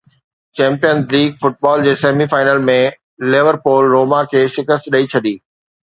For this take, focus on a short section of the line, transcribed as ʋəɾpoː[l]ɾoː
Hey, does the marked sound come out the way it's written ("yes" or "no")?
yes